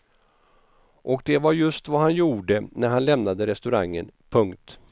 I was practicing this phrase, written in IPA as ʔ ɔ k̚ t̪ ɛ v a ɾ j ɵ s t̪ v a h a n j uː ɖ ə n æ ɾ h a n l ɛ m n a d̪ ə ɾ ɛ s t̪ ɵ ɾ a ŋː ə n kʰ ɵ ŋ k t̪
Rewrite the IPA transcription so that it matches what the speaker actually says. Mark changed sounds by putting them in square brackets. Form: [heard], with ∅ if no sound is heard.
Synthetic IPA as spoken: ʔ ɔ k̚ [d̪] ɛ v a ɾ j ɵ s t̪ v a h a n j uː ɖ ə n æ ɾ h a n l ɛ m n a d̪ ə ɾ ɛ s t̪ ɵ ɾ a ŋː ə n [pʰ] ɵ ŋ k t̪